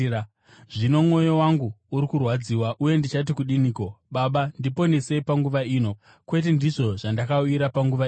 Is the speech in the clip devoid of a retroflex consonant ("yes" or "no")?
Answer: no